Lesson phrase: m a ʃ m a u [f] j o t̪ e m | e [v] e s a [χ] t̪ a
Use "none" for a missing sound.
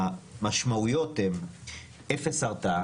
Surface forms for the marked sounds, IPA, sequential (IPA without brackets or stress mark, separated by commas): none, f, ʁ